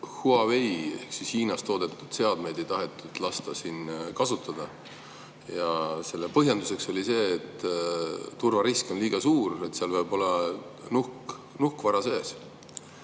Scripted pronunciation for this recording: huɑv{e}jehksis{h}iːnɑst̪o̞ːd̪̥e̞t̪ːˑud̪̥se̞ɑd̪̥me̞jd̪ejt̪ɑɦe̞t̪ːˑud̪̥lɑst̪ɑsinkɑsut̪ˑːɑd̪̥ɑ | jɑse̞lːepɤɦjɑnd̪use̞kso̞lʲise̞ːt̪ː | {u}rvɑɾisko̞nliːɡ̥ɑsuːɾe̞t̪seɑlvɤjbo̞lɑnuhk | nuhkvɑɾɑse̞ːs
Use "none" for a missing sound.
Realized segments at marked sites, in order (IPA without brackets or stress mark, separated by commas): e, h, u